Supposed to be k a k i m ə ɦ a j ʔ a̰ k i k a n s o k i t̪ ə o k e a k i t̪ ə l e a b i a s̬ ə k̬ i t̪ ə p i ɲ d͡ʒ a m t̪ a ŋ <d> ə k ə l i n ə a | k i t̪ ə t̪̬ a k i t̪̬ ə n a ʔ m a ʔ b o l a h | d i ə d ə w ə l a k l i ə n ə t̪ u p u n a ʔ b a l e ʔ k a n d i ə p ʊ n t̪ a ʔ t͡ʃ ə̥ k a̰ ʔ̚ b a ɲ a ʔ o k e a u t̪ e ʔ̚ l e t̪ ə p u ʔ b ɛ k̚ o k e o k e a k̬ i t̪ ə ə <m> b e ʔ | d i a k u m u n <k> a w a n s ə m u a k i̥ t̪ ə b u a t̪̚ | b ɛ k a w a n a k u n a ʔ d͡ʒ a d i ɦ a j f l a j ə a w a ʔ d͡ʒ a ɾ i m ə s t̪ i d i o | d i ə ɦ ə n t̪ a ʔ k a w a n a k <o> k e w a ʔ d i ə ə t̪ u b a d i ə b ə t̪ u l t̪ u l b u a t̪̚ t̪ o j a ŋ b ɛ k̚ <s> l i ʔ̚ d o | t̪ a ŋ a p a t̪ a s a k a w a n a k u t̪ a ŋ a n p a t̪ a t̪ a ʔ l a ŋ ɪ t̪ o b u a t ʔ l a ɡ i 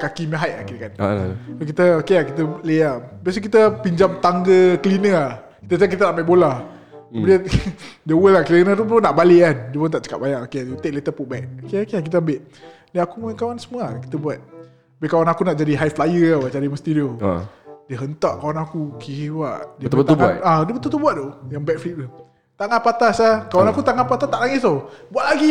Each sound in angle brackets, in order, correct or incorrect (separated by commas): incorrect, correct, correct, incorrect, incorrect